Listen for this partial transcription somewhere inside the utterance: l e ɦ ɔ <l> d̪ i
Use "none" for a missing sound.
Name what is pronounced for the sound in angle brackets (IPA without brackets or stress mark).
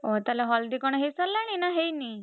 l